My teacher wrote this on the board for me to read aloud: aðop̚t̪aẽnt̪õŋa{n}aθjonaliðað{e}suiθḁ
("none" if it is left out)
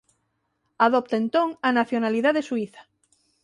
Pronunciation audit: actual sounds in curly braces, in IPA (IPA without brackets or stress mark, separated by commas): n, e